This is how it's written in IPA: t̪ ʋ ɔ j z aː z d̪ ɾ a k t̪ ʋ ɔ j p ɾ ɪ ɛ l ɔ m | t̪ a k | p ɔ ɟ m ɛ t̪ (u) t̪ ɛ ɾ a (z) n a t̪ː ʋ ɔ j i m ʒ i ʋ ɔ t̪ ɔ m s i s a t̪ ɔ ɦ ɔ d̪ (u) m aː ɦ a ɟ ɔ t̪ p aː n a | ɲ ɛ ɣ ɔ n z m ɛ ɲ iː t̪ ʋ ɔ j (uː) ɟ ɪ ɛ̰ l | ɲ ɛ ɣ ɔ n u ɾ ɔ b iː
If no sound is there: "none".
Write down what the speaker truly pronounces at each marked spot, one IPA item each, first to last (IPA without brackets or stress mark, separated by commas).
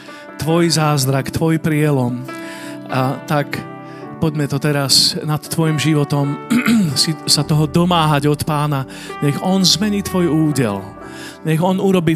ɔ, s, ɔ, uː